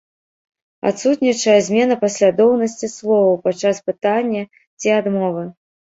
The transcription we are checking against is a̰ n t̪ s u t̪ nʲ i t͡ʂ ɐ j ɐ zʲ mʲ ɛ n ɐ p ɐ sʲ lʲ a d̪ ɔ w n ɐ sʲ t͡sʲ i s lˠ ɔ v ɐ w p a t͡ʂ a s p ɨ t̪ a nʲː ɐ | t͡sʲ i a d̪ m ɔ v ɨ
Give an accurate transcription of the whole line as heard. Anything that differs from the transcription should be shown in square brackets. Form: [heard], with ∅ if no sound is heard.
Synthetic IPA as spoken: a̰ [∅] t̪ s u t̪ nʲ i t͡ʂ ɐ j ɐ zʲ mʲ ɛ n ɐ p ɐ sʲ lʲ a d̪ ɔ w n ɐ sʲ t͡sʲ i s lˠ ɔ v ɐ w p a t͡ʂ a s p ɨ t̪ a nʲː ɐ | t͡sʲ i a d̪ m ɔ v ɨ